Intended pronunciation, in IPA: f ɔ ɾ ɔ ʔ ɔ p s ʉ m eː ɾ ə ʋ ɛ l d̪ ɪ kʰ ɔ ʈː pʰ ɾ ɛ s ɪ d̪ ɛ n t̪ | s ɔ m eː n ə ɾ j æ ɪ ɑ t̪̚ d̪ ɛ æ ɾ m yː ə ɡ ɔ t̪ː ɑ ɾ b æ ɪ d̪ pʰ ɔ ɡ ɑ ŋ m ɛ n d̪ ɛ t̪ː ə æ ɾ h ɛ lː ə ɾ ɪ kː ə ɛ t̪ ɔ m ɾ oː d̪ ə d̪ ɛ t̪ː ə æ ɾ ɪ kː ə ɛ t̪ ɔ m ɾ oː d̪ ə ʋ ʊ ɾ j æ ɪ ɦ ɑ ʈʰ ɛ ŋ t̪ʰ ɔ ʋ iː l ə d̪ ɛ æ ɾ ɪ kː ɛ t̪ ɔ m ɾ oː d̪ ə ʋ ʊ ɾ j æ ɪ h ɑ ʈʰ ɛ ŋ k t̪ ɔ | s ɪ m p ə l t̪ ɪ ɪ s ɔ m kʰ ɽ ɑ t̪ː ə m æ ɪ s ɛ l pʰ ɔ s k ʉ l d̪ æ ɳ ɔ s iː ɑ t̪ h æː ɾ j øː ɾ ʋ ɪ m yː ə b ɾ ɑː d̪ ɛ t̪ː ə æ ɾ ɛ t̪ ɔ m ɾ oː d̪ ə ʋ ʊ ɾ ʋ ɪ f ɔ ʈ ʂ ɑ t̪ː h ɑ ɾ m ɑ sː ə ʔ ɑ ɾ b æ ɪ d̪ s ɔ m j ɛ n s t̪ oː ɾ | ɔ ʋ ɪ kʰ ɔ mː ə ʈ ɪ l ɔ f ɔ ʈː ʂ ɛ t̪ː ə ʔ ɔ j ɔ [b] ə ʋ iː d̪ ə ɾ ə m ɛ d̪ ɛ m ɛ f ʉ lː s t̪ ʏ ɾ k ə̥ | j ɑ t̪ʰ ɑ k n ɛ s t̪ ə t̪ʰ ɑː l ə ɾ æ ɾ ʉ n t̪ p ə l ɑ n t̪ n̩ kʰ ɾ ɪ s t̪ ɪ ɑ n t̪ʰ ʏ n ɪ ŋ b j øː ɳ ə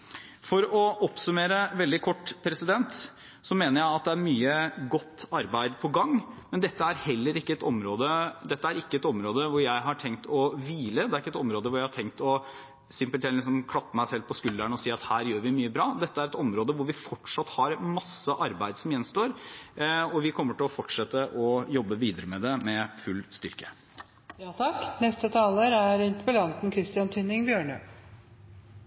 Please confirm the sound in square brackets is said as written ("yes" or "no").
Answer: no